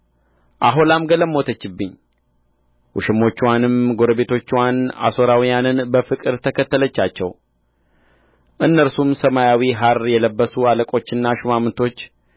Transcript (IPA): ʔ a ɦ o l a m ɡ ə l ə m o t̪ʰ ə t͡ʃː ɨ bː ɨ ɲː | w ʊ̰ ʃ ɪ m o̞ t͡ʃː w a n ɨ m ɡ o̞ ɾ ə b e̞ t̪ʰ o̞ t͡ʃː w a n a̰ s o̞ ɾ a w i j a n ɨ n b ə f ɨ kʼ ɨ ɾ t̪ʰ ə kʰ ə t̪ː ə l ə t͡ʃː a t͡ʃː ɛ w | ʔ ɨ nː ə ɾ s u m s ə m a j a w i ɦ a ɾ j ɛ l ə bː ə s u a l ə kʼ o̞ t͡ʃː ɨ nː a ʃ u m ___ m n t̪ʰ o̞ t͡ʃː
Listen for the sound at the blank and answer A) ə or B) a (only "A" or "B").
B